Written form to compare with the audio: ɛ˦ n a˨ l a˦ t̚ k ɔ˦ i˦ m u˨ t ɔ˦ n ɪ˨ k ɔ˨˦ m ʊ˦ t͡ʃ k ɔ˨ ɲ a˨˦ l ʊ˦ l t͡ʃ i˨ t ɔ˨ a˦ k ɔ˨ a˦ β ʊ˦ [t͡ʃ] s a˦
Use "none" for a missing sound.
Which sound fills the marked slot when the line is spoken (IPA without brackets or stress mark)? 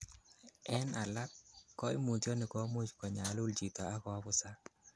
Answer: none